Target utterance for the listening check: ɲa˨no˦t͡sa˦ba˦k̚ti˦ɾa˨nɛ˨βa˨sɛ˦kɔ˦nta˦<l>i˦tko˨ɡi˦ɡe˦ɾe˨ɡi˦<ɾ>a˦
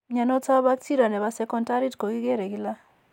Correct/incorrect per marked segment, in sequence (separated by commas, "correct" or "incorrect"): incorrect, incorrect